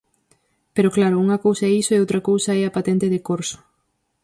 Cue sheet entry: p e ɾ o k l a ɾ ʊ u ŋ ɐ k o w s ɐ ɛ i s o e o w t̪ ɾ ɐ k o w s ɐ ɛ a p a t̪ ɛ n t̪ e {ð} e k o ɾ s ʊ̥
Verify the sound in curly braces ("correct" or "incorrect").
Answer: correct